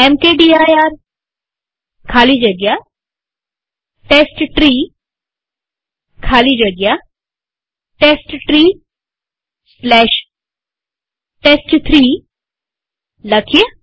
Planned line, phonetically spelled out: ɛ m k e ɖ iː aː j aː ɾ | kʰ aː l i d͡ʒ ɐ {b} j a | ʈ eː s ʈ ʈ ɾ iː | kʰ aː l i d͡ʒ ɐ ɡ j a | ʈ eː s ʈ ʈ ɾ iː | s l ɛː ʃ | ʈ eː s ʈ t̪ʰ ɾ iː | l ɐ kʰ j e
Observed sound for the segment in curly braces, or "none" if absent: ɡ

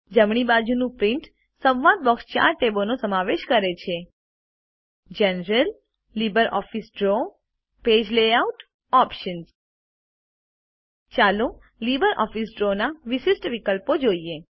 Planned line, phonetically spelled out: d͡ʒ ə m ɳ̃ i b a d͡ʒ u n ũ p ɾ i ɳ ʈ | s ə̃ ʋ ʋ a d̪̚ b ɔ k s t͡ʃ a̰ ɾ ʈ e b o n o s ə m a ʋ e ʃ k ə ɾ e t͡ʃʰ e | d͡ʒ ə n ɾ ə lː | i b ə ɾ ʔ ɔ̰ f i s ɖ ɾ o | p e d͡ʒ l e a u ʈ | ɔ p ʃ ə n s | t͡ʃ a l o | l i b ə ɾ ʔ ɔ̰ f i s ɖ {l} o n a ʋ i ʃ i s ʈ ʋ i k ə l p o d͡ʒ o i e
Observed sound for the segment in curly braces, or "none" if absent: ɾ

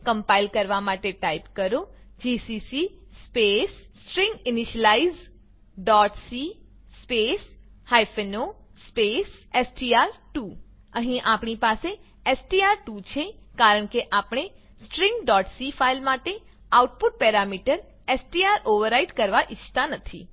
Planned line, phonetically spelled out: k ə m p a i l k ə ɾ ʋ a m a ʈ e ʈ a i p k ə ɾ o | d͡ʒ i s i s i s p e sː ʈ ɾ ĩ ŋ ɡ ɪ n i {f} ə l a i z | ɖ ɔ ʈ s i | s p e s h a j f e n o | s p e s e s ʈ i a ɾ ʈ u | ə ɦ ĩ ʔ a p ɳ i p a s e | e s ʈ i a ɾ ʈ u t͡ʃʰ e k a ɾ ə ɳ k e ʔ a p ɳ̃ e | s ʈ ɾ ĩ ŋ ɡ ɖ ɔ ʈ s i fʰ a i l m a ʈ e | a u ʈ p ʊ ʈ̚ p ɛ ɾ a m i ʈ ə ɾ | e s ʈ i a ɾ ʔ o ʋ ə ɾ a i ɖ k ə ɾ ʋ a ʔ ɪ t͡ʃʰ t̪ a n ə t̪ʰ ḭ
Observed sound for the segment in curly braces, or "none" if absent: ʃ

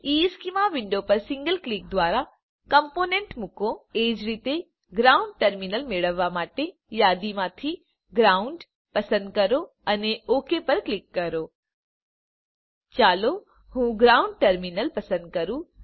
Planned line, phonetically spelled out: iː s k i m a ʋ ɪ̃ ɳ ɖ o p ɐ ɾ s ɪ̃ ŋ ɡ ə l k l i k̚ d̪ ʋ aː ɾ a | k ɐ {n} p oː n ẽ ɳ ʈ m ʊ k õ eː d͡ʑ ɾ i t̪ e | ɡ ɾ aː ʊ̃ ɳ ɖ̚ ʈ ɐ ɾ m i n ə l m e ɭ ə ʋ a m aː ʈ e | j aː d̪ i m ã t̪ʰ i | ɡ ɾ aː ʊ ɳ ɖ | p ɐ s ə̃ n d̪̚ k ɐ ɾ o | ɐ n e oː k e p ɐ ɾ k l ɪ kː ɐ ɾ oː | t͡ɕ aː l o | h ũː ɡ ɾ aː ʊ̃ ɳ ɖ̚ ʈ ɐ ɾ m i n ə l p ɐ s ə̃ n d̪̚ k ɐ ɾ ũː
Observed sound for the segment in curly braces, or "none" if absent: m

